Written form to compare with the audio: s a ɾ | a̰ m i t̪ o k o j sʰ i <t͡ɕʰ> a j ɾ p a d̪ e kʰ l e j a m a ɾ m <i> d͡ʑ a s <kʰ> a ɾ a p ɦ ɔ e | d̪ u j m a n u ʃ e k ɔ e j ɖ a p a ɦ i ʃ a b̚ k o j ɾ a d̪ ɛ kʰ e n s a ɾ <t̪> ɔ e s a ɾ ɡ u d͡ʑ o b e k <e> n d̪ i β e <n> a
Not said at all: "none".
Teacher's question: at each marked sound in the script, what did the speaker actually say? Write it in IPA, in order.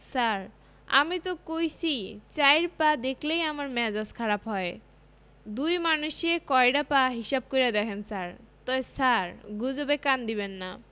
t͡ɕ, ɛ, kʰ, t̪, a, nː

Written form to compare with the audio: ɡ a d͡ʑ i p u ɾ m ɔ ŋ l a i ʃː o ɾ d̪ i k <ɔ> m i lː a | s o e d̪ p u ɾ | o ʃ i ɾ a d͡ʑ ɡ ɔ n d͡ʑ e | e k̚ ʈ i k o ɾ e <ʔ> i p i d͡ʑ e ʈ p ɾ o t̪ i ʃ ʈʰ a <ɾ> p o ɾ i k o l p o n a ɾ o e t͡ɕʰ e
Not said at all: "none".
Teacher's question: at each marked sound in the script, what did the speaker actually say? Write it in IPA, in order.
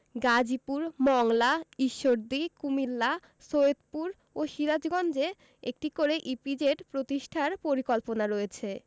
u, ʔ, ɾ

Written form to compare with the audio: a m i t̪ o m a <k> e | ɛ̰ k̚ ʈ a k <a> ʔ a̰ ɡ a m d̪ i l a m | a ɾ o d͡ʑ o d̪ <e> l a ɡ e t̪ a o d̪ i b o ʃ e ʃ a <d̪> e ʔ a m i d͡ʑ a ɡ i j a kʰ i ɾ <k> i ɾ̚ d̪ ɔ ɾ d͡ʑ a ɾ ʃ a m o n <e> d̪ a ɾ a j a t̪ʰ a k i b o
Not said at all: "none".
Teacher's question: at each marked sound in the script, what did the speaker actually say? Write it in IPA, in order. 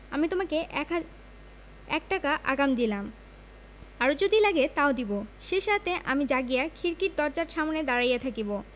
k, a, i, t̪, k, e

